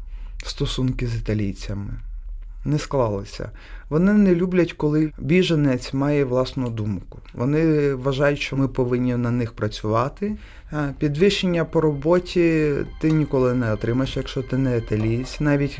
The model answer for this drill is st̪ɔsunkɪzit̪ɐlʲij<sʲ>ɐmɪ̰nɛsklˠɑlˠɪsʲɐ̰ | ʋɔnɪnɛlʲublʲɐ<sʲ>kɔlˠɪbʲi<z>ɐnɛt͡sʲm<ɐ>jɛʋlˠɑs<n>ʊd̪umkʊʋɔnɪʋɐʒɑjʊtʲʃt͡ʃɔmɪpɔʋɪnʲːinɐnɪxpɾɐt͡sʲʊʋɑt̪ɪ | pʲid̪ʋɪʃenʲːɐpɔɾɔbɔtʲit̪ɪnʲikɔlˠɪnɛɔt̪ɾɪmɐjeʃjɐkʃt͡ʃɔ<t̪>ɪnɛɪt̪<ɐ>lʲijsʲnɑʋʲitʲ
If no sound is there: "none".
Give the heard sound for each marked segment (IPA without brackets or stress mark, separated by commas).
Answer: t͡sʲ, tʲ, ʒ, ɑ, n, t̪, ɐ